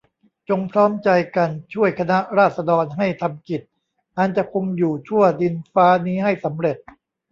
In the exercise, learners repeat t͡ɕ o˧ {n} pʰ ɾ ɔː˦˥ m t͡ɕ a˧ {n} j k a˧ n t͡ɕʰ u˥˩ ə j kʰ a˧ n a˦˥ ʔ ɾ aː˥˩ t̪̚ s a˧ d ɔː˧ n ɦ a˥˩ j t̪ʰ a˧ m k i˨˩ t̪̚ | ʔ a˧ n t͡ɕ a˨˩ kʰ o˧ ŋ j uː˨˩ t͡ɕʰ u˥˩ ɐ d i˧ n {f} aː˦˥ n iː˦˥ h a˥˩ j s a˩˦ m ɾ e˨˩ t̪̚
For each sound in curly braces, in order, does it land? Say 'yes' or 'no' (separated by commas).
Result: no, no, yes